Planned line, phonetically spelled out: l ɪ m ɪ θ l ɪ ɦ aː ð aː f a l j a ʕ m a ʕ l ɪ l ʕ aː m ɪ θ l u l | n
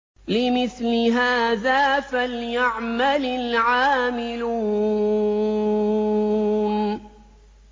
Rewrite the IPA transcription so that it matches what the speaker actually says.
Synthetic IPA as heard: l ɪ m ɪ θ l ɪ ɦ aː ð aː f a l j a ʕ m a l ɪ l ʕ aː m ɪ l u | n